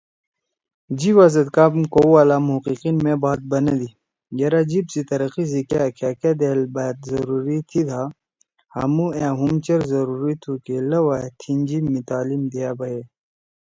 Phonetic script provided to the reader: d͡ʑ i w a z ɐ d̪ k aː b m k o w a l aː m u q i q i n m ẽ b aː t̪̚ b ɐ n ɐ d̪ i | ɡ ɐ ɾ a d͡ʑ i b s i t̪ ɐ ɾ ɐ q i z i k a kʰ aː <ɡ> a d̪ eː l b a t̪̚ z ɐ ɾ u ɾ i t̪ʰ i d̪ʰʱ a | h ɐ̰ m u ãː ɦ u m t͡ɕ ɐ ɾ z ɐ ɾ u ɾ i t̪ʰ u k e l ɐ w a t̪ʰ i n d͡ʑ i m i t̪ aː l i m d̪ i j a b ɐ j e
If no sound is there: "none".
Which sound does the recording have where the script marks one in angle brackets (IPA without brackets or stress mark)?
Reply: k